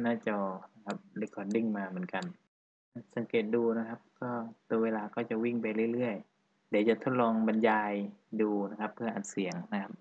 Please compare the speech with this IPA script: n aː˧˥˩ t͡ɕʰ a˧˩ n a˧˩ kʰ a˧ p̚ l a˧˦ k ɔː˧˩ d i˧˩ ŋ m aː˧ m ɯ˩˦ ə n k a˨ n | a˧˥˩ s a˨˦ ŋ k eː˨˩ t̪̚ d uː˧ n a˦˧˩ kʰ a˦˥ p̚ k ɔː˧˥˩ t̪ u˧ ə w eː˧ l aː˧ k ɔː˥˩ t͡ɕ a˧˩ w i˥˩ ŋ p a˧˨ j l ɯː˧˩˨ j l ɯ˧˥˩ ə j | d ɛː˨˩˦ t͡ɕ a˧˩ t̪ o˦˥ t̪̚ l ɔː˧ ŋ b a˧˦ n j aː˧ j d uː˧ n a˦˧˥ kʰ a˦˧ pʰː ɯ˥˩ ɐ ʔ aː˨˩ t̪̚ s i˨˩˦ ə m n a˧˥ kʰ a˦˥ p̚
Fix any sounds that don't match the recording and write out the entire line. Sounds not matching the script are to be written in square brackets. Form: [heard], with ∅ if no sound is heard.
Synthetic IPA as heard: n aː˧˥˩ [t͡ɕ] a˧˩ n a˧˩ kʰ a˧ p̚ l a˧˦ k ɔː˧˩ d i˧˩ ŋ m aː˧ m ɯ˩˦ ə n k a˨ n | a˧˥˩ s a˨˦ ŋ k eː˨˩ t̪̚ d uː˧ n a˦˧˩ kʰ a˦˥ p̚ k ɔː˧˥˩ t̪ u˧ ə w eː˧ l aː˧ k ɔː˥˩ t͡ɕ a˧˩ w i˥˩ ŋ p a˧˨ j l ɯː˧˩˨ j l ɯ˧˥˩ ə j | d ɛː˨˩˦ t͡ɕ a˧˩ [t̪ʰ] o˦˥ t̪̚ l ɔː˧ ŋ b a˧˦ n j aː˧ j d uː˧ n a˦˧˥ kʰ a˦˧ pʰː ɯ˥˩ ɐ ʔ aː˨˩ t̪̚ s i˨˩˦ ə [ŋ] n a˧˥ kʰ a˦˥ p̚

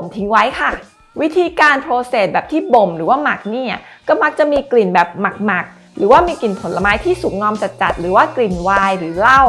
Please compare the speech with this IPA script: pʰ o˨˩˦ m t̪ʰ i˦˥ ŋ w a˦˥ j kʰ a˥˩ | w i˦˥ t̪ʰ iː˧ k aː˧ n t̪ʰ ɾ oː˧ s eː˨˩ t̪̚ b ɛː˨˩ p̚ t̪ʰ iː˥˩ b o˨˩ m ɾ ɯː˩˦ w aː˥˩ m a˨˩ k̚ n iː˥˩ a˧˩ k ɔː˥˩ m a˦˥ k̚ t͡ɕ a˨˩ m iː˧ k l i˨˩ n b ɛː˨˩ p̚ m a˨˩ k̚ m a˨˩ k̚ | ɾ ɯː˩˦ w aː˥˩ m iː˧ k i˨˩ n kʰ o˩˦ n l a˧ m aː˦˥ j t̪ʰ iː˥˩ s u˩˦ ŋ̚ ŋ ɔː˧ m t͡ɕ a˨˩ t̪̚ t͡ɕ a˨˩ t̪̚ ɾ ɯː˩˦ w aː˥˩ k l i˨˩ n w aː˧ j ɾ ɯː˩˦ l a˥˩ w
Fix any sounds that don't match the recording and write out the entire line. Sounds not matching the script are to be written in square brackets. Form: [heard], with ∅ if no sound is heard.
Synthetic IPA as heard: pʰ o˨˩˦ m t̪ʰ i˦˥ ŋ w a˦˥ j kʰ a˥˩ | w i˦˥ t̪ʰ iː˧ k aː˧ n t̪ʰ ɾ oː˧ s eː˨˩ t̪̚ b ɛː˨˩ p̚ t̪ʰ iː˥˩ b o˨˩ m ɾ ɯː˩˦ w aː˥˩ m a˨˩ k̚ n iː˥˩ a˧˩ k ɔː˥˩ m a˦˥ k̚ t͡ɕ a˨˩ m iː˧ k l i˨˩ n b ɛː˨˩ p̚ m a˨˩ k̚ m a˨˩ k̚ | ɾ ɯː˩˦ w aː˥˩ m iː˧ k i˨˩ n [pʰ] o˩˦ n l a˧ m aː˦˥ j t̪ʰ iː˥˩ s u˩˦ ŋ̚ ŋ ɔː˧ m t͡ɕ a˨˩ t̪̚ t͡ɕ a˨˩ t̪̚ ɾ ɯː˩˦ w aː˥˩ k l i˨˩ n w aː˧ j ɾ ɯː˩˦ l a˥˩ w

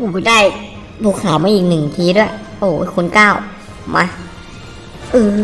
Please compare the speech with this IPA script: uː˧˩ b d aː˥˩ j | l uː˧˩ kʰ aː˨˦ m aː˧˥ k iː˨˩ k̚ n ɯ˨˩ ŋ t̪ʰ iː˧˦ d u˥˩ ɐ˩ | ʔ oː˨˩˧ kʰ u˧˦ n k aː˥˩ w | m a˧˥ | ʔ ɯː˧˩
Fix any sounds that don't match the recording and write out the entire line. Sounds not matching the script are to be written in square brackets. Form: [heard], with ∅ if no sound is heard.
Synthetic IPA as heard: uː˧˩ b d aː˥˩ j | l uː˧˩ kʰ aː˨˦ m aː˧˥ [ʔ] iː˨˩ k̚ n ɯ˨˩ ŋ t̪ʰ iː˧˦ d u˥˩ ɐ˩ | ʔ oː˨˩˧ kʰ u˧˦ n k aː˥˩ w | m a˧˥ | ʔ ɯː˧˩

